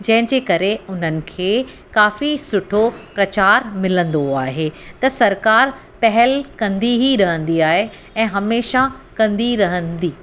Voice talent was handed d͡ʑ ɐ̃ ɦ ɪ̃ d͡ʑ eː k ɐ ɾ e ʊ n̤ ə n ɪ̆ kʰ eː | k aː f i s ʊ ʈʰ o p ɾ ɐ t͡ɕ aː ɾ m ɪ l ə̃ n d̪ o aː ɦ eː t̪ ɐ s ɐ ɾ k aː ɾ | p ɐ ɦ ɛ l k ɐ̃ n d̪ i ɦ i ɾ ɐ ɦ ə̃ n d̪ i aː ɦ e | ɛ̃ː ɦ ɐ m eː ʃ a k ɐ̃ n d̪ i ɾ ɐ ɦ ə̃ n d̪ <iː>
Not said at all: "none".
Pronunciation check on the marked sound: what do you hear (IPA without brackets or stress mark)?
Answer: iː